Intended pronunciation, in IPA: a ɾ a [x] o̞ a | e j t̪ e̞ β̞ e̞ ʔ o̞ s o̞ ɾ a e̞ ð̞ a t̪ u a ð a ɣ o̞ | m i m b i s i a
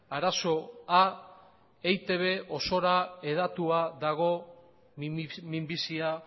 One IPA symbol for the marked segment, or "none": s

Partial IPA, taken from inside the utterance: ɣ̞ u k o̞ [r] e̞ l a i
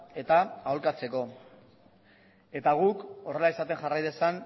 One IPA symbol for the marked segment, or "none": r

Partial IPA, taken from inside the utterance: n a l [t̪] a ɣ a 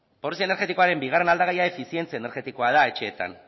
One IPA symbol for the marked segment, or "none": d̪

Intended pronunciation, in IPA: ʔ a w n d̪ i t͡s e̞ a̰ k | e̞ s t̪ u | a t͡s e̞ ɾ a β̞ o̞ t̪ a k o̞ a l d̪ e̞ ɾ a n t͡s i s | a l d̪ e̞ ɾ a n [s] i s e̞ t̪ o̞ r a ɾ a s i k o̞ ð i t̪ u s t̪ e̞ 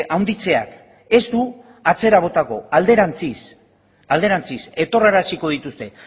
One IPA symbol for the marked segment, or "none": t͡s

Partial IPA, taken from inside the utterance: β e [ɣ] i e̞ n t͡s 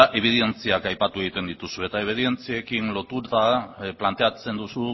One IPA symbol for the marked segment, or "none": ð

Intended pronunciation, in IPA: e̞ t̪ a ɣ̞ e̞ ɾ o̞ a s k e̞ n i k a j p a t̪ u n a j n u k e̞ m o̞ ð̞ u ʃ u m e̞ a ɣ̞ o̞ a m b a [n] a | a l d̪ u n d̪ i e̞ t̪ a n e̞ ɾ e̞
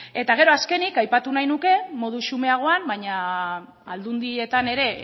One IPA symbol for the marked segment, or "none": ɲ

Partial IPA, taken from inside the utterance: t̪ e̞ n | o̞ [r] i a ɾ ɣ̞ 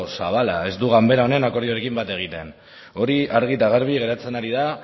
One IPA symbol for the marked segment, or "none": ɾ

